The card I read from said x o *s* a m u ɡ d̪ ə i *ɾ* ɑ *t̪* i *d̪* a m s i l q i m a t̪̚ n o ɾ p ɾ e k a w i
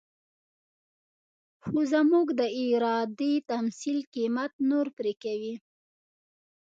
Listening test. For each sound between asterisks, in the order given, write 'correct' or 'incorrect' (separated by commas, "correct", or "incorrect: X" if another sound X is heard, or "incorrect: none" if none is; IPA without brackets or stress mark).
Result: incorrect: z, correct, incorrect: d̪, incorrect: t̪